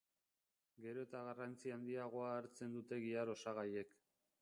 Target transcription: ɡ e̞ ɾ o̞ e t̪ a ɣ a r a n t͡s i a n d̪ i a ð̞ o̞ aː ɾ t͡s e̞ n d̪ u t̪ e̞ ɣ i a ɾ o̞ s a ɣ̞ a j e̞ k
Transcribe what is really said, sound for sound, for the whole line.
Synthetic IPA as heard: ɡ e̞ ɾ o̞ e t̪ a ɣ a r a n t͡s i a n d̪ i a ɣ̞ o̞ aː ɾ t͡s e̞ n d̪ u t̪ e̞ ɣ i a ɾ o̞ s a ɣ̞ a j e̞ k